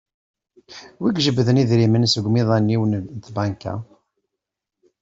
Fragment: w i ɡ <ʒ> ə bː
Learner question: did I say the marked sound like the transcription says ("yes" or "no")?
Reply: yes